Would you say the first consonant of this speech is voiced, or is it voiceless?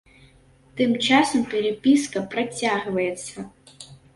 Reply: voiceless